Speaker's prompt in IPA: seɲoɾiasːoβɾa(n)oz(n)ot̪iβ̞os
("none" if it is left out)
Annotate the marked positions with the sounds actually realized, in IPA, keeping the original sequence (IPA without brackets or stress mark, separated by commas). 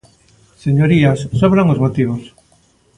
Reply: ŋ, m